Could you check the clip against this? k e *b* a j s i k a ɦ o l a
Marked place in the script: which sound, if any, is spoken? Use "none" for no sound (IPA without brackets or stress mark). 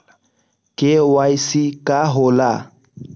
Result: w